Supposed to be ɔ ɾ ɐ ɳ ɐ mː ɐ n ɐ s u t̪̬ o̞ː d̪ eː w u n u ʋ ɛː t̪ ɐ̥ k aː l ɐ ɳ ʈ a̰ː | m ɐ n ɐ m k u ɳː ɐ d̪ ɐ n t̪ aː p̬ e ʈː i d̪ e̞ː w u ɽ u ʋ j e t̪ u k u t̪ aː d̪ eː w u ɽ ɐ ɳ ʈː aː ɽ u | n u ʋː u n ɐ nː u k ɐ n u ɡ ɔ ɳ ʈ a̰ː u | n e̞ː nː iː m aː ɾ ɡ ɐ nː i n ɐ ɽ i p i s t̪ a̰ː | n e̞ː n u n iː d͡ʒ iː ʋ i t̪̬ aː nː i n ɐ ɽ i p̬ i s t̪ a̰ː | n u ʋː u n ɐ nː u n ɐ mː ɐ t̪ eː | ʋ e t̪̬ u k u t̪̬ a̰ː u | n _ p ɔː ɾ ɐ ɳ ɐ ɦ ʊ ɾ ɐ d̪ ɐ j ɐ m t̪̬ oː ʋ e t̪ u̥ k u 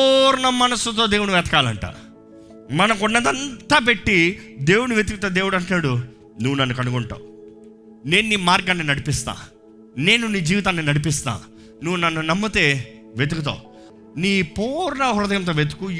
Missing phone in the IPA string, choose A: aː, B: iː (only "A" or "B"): B